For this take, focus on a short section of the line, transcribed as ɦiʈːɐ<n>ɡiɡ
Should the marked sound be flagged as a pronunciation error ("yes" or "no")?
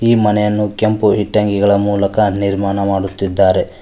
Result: yes